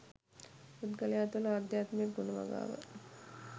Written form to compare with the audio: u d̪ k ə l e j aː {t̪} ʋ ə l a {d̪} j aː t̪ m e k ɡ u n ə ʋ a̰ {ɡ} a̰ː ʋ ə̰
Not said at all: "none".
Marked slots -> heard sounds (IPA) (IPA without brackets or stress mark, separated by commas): t̪, d̪, ɡ